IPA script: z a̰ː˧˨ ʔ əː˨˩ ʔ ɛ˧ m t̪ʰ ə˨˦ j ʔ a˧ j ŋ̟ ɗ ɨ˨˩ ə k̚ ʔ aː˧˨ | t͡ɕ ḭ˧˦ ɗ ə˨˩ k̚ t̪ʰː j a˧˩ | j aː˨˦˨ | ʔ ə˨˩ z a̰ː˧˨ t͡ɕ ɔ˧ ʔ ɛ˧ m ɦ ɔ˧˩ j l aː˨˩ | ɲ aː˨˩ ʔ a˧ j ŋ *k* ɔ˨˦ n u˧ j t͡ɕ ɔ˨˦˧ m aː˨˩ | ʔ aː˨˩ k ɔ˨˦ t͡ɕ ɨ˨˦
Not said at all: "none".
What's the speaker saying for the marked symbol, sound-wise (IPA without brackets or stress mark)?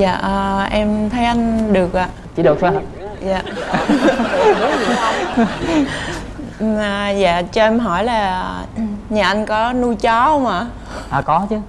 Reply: k